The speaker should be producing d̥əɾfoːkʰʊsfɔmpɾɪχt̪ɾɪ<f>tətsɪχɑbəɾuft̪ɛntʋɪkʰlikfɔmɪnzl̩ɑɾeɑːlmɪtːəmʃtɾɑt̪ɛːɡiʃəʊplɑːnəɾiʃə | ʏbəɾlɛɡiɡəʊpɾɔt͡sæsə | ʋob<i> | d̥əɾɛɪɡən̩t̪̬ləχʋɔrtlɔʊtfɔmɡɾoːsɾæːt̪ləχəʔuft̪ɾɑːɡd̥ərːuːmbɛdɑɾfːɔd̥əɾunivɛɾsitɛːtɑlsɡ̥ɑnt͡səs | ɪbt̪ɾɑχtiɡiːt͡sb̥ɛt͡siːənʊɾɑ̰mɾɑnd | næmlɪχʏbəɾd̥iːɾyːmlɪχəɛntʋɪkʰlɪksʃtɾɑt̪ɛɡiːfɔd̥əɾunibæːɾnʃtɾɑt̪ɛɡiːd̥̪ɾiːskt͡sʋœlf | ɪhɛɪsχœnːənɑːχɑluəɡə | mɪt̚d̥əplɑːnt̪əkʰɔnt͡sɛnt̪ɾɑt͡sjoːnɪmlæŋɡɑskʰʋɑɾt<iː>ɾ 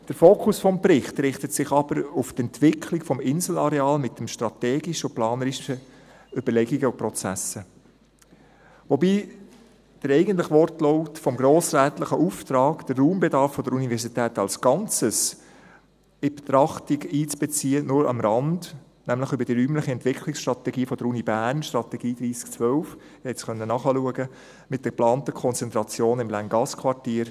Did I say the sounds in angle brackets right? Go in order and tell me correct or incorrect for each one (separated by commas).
incorrect, incorrect, correct